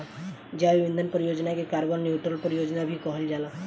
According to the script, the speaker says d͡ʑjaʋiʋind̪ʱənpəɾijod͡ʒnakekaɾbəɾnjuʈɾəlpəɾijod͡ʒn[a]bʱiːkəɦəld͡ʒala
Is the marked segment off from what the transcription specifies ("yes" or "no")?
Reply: no